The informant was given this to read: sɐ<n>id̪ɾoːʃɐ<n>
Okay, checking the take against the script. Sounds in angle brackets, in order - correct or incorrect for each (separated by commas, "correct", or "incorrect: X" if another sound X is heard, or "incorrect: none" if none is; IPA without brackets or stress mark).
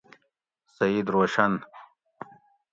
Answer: incorrect: none, correct